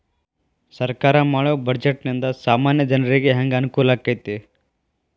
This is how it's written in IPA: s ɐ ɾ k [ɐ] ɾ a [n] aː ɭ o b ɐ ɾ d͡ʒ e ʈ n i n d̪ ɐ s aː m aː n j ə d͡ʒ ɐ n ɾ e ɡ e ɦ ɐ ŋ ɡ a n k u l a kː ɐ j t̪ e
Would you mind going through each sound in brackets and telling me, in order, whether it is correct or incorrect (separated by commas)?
incorrect, incorrect